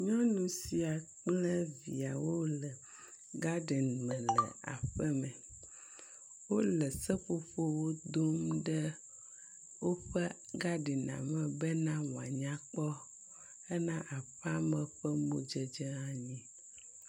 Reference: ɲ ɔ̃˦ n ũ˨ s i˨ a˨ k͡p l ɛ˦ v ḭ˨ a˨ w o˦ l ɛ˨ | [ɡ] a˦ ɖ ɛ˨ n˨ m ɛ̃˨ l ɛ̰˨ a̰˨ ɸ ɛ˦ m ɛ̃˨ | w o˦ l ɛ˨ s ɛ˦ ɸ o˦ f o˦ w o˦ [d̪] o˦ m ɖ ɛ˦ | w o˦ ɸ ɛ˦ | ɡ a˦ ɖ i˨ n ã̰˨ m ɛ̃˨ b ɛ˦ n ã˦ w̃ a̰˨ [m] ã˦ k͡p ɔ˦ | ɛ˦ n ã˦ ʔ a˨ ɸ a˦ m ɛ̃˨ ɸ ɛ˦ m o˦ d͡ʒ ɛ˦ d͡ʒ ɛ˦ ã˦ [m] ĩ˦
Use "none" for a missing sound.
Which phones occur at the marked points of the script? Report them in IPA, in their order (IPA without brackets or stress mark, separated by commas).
ɡ, d̪, ɲ, ɲ